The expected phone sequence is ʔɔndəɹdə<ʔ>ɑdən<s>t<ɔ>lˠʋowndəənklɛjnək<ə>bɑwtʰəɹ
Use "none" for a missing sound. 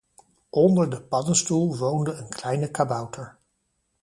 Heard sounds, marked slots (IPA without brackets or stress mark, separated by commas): p, s, u, a